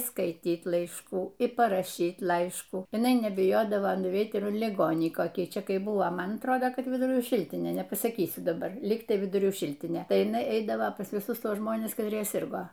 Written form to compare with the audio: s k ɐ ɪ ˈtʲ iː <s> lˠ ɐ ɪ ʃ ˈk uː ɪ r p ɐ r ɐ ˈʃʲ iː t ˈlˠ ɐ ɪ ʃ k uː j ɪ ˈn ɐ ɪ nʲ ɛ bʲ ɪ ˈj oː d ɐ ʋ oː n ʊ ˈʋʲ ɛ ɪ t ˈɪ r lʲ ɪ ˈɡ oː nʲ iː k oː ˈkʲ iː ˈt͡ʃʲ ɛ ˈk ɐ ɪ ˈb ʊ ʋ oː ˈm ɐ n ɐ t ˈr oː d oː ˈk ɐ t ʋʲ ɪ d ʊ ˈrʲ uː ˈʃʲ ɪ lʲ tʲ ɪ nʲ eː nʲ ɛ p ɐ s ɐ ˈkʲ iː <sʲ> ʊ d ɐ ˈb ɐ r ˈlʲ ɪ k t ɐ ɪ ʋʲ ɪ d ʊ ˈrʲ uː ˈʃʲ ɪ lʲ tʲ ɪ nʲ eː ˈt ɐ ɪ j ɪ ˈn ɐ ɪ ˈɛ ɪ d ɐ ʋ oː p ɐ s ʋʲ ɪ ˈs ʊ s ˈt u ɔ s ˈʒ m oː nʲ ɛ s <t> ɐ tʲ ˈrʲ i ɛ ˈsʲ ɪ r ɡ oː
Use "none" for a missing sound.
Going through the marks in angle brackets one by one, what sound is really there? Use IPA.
t, sʲ, k

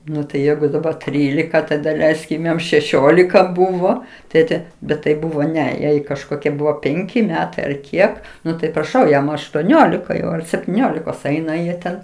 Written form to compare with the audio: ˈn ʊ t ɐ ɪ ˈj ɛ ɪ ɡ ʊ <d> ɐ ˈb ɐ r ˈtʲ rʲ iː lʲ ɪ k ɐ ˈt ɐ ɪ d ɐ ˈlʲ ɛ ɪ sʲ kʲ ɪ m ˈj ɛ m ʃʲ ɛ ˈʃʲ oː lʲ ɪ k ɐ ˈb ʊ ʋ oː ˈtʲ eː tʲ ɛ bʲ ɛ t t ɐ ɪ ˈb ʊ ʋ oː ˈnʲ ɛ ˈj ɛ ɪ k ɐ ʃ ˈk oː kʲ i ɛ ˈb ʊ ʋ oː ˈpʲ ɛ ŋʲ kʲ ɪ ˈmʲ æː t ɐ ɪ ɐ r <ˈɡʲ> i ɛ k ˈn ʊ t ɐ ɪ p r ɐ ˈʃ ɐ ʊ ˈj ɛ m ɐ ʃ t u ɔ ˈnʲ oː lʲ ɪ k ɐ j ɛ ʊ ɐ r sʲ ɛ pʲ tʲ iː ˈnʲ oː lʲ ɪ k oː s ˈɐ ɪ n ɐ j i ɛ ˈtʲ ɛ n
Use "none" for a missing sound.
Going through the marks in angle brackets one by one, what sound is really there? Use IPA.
d, kʲ

